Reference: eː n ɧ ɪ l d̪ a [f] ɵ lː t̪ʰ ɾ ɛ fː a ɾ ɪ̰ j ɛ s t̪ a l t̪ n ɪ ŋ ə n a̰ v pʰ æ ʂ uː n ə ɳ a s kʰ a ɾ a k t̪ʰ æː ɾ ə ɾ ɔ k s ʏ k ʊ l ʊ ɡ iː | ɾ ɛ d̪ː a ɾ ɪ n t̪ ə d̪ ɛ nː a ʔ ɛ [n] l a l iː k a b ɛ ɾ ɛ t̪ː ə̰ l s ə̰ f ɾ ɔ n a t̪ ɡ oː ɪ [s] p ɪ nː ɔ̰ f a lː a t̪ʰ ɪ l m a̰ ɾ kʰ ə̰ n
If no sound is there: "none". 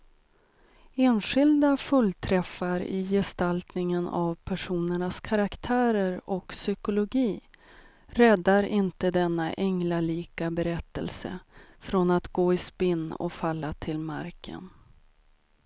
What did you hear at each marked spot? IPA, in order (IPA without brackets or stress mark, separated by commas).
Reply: f, ŋ, s